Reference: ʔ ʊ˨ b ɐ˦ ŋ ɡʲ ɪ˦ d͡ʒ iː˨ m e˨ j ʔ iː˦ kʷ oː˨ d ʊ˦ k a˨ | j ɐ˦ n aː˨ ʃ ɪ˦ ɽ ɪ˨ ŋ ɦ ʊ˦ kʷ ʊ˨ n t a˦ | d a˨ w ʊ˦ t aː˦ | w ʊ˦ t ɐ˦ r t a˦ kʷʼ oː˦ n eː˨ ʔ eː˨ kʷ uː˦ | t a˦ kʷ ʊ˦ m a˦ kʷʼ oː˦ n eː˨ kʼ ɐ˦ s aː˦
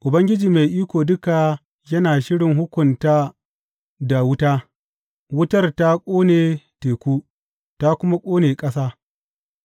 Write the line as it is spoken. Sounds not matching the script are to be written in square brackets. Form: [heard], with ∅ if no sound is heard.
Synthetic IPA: ʔ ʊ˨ b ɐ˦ ŋ ɡʲ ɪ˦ d͡ʒ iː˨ m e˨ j ʔ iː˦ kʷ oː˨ d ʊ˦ k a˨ | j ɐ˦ n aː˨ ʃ ɪ˦ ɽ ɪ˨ ŋ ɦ ʊ˦ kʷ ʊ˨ n t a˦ | d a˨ w ʊ˦ t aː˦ | w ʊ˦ t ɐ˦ r t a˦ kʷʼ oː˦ n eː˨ [t] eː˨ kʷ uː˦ | t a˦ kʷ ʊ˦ m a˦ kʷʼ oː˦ n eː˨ kʼ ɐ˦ s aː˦